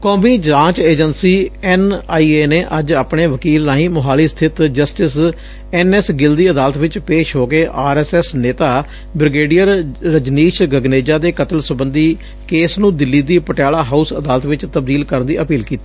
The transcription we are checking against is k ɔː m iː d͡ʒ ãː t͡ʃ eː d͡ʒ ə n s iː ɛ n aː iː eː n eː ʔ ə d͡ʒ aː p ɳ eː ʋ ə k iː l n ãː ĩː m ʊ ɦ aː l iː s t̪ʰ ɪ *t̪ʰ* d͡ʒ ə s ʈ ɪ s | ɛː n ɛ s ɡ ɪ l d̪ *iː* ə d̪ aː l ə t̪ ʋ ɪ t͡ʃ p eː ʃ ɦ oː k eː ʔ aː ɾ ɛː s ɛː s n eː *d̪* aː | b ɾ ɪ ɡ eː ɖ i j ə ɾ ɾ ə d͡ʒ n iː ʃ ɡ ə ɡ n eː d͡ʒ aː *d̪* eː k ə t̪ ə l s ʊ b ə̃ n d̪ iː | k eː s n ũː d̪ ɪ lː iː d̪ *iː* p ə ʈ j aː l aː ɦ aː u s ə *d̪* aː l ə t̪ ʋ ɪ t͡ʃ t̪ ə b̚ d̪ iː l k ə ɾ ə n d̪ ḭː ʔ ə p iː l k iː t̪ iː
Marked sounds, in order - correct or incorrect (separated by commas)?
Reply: incorrect, correct, incorrect, correct, correct, correct